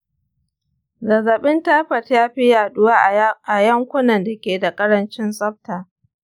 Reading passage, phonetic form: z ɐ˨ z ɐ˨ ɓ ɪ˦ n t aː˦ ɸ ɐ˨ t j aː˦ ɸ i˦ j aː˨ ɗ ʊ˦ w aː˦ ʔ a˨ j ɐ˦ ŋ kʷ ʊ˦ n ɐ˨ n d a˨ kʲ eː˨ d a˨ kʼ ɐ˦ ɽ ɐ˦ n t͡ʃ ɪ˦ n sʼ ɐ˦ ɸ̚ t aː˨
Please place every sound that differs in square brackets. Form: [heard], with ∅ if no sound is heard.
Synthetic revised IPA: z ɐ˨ z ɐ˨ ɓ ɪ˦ n t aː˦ ɸ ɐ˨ t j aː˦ ɸ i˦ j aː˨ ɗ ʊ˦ w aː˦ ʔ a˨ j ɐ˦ ŋ kʷ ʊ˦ n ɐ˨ n d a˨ kʲ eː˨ d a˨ kʼ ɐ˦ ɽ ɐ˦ n t͡ʃ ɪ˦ n sʼ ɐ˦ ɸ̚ t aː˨